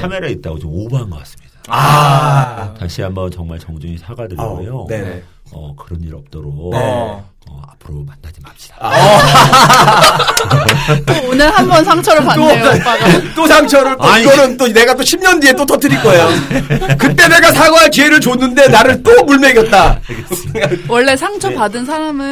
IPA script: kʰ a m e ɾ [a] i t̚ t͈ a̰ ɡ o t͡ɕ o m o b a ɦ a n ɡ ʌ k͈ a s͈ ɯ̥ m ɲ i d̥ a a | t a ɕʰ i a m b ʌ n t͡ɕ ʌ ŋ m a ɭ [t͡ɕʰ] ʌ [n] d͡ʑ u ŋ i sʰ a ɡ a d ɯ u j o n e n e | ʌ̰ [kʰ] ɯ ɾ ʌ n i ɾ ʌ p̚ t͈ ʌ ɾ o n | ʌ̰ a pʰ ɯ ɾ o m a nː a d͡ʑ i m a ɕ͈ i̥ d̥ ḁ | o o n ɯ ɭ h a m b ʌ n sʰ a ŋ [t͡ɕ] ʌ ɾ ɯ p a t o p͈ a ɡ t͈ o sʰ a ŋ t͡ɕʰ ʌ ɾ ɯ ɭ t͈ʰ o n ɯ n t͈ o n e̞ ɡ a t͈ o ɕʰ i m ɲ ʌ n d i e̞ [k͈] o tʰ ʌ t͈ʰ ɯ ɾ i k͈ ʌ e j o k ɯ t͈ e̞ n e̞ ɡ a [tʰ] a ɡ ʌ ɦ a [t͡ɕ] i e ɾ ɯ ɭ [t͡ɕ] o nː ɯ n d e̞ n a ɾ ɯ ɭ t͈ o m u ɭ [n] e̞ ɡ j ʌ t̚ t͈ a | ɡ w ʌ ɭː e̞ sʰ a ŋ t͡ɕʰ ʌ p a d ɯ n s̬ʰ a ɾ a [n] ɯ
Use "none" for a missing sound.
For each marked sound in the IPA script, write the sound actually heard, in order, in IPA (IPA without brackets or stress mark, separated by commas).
a, t͡ɕ, ŋ, k, t͡ɕʰ, t͈, sʰ, t͡ɕ, t͡ɕ, m, m